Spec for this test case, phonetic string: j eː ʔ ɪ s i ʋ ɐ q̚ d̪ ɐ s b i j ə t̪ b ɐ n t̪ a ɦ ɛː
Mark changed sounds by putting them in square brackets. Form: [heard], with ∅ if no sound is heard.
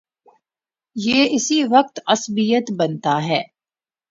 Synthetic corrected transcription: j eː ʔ ɪ s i ʋ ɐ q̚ [t̪] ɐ s b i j ə t̪ b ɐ n t̪ a ɦ ɛː